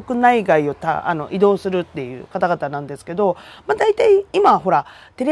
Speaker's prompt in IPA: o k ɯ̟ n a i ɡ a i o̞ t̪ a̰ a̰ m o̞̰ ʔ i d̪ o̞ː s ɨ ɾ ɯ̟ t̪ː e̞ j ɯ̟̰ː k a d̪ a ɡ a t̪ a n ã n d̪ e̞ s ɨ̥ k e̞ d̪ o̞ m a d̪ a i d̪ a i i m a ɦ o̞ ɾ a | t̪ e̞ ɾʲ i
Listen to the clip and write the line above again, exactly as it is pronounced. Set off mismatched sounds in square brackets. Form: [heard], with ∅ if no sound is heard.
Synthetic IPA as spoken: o k ɯ̟ n a i ɡ a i o̞ t̪ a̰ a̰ [n] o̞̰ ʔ i d̪ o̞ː s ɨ ɾ ɯ̟ t̪ː e̞ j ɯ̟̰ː k a [t̪] a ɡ a t̪ a n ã n d̪ e̞ s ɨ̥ k e̞ d̪ o̞ m a d̪ a i [t̪] a i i m a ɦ o̞ ɾ a | t̪ e̞ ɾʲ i